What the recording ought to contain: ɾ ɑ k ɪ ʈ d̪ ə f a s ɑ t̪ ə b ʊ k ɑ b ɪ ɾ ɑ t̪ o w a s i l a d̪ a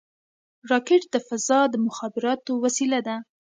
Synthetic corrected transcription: ɾ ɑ k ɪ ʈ d̪ ə f a z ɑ d̪ ə m ʊ x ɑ b ɪ ɾ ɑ t̪ o w a s i l a d̪ a